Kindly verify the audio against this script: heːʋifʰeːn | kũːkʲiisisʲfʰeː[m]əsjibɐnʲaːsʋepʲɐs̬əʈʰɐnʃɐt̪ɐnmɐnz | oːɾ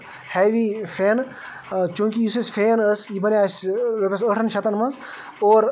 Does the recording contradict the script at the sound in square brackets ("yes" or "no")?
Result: yes